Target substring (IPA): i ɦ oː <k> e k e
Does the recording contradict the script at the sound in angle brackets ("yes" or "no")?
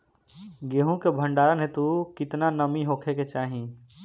yes